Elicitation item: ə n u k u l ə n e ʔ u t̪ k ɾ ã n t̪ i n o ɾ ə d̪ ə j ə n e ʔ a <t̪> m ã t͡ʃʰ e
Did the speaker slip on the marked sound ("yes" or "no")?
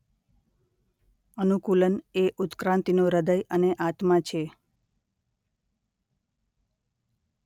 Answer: no